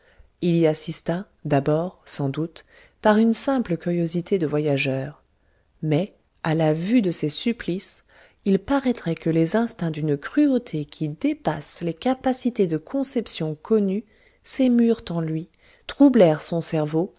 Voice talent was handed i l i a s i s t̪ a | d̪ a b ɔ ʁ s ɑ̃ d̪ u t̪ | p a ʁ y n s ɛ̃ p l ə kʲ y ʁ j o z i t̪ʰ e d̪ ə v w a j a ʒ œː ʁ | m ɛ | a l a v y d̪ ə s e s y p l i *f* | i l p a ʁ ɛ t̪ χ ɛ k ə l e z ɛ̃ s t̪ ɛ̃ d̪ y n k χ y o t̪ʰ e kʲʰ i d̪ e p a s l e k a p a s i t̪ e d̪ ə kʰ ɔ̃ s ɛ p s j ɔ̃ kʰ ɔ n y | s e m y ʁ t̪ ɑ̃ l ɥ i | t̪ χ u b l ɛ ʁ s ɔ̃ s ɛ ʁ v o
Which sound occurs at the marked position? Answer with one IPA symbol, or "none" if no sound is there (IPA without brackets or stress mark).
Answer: s